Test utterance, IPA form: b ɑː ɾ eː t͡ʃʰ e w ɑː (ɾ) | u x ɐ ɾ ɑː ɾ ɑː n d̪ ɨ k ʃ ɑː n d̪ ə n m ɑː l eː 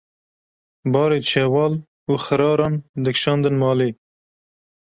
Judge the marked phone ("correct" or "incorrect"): incorrect